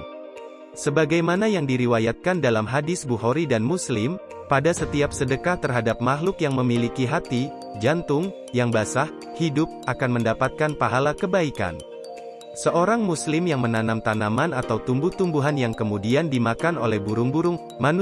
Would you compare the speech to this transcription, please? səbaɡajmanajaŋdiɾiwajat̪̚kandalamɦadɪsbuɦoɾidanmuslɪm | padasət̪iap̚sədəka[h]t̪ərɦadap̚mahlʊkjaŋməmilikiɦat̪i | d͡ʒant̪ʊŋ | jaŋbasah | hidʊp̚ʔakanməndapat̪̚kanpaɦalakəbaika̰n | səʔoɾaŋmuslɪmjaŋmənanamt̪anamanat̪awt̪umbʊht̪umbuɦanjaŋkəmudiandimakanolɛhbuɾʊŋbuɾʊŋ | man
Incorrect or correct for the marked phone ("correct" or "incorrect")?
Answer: correct